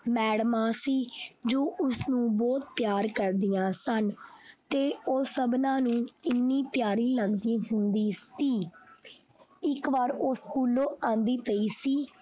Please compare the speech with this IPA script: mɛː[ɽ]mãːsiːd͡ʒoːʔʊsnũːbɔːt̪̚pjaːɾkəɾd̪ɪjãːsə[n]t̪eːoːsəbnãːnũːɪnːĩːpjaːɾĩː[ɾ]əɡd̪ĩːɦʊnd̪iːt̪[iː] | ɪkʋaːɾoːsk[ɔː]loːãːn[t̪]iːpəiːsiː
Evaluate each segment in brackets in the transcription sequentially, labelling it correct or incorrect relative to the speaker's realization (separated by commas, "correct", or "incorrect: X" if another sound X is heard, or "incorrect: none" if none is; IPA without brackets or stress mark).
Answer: correct, correct, incorrect: l, correct, incorrect: uː, incorrect: d̪